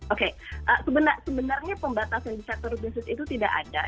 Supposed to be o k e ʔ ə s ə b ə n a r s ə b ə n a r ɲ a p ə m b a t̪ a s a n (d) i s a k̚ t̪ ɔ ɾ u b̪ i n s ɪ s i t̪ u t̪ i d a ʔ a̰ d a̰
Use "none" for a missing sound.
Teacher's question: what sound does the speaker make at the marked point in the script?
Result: d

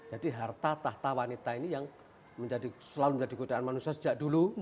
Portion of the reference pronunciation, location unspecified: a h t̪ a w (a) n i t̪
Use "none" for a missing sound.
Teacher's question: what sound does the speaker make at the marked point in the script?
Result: a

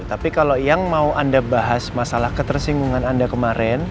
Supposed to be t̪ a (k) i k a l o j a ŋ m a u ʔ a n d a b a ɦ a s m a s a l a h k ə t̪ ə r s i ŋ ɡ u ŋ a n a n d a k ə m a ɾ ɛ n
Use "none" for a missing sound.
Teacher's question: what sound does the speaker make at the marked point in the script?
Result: p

